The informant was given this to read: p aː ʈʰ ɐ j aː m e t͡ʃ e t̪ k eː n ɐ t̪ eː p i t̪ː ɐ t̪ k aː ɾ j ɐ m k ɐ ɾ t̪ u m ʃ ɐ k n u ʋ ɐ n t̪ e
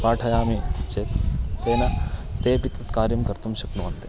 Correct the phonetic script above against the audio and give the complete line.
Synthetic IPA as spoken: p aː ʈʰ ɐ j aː m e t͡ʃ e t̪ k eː n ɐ t̪ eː p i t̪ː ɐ t̪ k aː ɾ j ɐ m k ɐ ɾ t̪ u m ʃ ɐ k n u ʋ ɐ n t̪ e